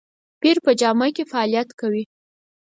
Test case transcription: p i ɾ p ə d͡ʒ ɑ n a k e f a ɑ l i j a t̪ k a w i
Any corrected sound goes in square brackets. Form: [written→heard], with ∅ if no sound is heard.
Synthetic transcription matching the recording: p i ɾ p ə d͡ʒ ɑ [n→m] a k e f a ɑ l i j a t̪ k a w i